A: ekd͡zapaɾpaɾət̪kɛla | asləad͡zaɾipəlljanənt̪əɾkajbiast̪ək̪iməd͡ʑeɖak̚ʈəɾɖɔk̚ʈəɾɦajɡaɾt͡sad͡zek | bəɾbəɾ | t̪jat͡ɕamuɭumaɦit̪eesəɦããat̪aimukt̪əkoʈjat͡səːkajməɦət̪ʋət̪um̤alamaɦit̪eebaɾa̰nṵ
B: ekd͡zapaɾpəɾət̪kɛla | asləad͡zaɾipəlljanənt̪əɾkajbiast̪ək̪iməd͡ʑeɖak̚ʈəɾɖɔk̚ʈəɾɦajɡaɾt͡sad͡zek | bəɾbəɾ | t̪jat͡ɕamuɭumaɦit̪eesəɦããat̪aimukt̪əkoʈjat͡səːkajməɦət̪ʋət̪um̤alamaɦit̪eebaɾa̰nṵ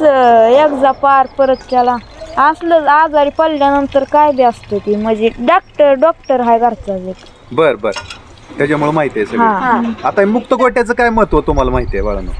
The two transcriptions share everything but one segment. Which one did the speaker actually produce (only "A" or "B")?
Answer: B